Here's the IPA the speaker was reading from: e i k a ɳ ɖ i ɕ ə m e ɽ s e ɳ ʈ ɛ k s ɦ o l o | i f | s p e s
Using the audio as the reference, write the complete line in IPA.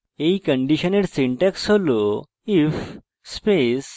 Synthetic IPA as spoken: e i k ə ɳ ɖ i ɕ ə n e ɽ s i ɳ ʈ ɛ k s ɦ o l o | i f | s p e s